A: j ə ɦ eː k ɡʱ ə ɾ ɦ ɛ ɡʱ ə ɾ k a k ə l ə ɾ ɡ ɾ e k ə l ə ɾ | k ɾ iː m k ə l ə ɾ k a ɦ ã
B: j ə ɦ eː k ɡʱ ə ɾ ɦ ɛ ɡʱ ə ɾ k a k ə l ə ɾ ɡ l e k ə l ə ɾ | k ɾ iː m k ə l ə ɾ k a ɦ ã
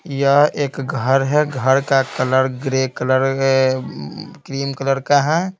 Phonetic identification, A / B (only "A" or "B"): A